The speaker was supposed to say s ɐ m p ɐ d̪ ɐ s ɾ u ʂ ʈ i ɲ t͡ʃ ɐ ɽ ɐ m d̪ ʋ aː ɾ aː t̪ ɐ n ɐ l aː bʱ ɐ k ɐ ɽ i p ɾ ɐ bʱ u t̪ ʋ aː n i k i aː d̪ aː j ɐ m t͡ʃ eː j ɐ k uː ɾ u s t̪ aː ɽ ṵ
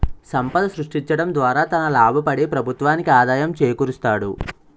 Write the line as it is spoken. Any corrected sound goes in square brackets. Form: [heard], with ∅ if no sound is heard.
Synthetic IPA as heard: s ɐ m p ɐ d̪ ɐ s ɾ u ʂ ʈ i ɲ t͡ʃ ɐ ɽ ɐ m d̪ ʋ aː ɾ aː t̪ ɐ n ɐ l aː bʱ ɐ [p] ɐ ɽ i p ɾ ɐ bʱ u t̪ ʋ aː n i k i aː d̪ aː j ɐ m t͡ʃ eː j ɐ k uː ɾ u s t̪ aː ɽ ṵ